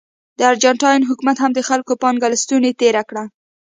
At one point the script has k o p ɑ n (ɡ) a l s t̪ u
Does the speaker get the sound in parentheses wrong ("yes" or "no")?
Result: no